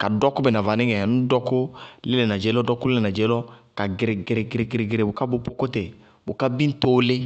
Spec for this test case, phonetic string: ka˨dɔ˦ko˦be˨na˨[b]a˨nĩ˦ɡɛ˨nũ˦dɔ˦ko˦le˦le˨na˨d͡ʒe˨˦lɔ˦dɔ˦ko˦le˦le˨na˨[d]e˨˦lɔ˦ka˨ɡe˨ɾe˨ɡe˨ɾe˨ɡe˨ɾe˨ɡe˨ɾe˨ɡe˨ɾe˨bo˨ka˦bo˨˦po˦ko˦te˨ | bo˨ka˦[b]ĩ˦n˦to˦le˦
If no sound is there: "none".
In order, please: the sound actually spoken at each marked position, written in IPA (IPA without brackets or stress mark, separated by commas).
v, d͡ʒ, b